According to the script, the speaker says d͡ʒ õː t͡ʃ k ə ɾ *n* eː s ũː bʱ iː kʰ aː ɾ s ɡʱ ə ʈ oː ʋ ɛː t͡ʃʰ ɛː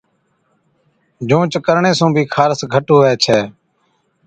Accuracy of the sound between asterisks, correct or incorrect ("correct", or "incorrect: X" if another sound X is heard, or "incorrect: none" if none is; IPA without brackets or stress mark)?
incorrect: ɳ